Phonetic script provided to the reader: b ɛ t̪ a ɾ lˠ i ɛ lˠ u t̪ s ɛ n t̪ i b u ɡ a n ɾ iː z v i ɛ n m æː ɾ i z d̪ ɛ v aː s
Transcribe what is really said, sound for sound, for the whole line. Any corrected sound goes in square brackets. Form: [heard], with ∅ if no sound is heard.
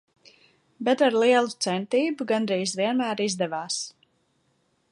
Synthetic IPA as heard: b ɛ t̪ a ɾ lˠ i ɛ lˠ u t̪ s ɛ n t̪ [iː] b u ɡ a n ɾ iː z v i ɛ n m æː ɾ i z d̪ ɛ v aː s